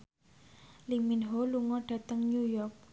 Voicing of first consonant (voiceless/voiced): voiced